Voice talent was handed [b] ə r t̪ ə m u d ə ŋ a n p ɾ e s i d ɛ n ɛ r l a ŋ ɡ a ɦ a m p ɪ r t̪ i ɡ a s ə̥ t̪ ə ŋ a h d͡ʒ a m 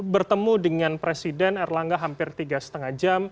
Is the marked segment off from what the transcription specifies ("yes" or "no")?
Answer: no